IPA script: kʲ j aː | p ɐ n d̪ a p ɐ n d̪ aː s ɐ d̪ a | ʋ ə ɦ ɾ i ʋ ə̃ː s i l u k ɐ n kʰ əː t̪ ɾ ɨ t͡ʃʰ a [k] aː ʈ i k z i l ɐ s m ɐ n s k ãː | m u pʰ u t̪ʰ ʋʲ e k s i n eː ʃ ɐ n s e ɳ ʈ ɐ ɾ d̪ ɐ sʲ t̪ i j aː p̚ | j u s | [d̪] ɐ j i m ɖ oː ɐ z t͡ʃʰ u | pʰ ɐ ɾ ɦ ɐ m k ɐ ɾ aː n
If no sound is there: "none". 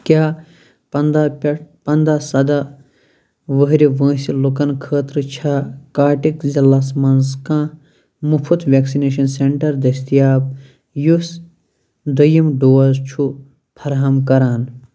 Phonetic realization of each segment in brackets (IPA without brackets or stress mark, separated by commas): k, d̪